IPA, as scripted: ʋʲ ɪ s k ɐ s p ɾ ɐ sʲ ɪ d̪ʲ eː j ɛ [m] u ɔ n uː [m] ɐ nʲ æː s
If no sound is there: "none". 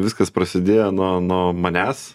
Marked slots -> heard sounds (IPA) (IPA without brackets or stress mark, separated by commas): n, m